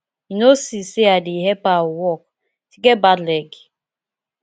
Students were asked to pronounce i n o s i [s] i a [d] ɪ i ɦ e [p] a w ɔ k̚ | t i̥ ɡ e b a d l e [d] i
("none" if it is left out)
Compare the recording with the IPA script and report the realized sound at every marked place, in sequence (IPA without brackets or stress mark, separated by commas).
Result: s, d, p, ɡ